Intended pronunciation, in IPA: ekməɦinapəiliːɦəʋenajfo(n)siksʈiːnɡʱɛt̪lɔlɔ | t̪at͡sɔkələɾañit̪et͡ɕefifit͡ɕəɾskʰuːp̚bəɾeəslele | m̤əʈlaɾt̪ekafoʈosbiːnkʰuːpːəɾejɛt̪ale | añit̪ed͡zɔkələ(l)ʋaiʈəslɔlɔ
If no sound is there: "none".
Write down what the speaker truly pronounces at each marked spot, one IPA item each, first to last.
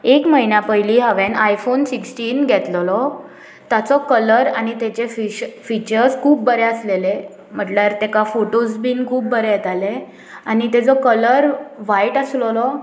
n, ɾ

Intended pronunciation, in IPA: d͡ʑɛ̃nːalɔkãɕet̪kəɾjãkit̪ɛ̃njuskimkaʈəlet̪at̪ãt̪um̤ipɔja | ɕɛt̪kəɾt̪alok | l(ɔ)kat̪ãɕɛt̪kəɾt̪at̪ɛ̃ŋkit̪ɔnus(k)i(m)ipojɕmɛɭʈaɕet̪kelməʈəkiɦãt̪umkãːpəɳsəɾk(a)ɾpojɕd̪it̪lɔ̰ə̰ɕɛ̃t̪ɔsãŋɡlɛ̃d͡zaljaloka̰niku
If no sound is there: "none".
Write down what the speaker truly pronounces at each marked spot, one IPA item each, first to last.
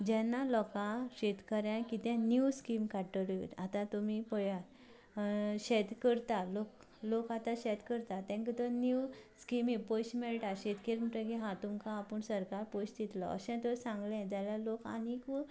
o, k, m, a

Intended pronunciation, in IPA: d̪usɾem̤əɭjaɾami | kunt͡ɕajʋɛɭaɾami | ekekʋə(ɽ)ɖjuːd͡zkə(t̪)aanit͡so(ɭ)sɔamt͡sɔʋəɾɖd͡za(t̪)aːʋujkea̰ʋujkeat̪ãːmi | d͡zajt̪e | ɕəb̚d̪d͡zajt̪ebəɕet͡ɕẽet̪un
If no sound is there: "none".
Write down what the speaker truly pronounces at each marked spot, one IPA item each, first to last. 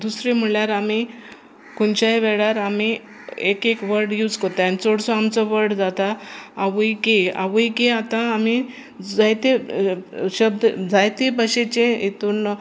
ɾ, t̪, ɽ, t̪

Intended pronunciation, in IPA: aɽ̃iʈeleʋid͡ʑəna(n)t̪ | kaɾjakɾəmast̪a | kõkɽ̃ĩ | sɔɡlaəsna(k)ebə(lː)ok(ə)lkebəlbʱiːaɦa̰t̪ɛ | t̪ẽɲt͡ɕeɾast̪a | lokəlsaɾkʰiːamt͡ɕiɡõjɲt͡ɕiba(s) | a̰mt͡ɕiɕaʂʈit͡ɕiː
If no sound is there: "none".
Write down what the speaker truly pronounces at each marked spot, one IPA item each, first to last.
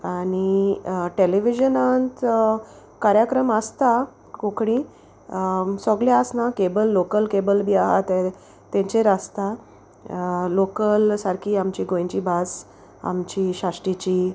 n, k, lː, ə, s

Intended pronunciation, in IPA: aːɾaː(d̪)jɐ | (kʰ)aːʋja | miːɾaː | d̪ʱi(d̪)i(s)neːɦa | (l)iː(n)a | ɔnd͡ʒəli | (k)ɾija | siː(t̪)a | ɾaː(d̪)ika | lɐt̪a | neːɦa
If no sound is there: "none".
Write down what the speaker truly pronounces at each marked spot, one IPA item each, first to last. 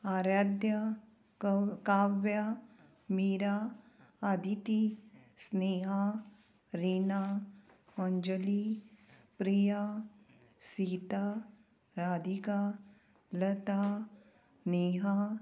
d̪, k, t̪, s, ɾ, n, p, t̪, d̪

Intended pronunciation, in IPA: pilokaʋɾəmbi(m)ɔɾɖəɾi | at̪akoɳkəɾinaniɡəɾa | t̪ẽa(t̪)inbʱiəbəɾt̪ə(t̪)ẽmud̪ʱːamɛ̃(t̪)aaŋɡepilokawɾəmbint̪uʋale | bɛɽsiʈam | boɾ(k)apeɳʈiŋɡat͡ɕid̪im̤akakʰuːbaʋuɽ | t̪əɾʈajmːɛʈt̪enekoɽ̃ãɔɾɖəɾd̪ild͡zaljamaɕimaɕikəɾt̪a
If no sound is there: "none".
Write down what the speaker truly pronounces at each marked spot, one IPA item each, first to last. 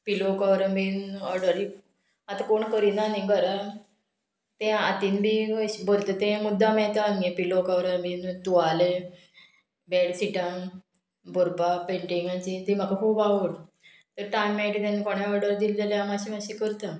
n, t̪, t̪, t̪, p

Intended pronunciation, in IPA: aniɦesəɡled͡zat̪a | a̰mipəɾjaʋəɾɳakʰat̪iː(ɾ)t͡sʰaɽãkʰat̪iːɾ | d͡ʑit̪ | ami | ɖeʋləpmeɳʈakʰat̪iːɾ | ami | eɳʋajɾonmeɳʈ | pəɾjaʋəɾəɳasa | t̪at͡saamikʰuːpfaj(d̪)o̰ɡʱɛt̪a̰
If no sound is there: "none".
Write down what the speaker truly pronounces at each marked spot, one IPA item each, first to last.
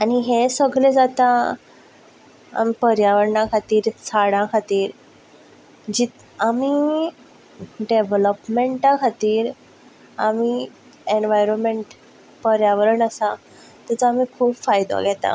ɾ, d̪

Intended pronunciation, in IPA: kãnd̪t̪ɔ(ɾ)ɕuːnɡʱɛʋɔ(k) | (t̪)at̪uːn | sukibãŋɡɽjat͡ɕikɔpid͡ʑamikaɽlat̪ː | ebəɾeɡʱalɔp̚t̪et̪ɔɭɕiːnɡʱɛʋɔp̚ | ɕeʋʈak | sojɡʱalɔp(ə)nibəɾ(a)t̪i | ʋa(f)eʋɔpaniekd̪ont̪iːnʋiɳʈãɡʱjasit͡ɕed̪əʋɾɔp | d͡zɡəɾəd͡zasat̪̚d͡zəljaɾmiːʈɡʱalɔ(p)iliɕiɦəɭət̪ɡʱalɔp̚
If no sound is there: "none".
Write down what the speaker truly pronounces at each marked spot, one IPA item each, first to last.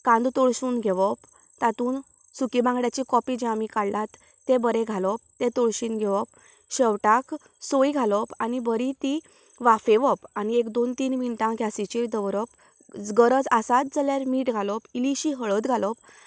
ɭ, p, t̪, a, i, f, p

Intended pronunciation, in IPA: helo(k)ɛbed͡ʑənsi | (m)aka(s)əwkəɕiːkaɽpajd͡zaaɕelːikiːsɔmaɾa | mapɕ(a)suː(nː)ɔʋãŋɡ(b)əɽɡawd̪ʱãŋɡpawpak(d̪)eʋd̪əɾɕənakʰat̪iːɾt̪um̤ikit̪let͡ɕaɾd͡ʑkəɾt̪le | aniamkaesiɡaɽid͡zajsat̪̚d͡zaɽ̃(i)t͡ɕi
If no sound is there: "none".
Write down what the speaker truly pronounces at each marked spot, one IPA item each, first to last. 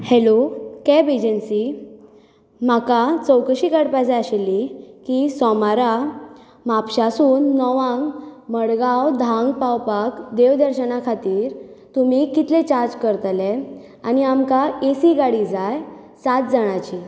k, m, t͡s, a, nː, m, d̪, a

